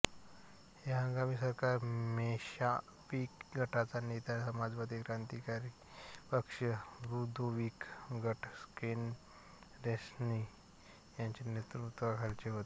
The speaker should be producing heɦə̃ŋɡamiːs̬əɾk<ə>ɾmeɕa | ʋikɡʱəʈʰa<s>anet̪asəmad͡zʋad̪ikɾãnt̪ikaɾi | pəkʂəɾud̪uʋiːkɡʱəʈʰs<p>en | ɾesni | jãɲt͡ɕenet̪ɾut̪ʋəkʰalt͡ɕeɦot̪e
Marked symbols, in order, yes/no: no, no, no

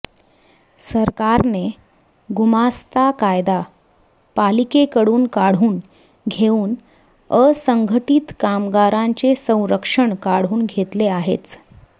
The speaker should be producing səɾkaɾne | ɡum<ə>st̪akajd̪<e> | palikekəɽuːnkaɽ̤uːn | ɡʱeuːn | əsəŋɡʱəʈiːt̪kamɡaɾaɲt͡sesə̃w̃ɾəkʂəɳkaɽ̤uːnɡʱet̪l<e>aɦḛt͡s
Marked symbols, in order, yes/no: no, no, yes

